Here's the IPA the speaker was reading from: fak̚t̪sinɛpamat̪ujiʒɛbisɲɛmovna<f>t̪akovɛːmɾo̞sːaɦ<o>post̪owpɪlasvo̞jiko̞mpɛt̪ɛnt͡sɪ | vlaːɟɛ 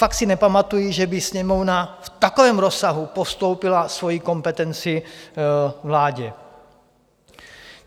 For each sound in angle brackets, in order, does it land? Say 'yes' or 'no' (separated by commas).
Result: yes, no